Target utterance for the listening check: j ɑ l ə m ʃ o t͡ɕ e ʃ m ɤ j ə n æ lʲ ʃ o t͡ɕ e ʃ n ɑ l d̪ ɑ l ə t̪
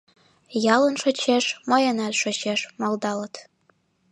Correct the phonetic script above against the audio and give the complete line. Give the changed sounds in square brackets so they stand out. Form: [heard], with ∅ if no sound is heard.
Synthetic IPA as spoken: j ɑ l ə [n] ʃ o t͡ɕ e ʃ m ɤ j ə n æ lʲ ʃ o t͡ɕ e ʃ [m] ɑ l d̪ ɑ l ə t̪